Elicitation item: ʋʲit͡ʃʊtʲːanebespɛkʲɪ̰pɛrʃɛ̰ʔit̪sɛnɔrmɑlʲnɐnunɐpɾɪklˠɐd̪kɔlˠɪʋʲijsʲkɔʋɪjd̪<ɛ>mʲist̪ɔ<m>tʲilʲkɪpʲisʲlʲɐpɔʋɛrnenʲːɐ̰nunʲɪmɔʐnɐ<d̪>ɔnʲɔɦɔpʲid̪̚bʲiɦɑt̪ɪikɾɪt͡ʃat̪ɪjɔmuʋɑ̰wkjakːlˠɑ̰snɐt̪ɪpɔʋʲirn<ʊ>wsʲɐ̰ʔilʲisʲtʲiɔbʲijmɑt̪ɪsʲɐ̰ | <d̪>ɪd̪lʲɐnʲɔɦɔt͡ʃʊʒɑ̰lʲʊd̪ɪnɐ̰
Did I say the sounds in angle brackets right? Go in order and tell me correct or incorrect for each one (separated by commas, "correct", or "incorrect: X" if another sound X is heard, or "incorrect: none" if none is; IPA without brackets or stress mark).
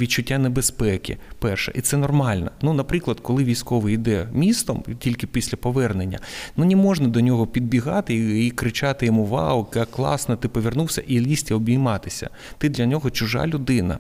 correct, correct, correct, incorrect: u, incorrect: t̪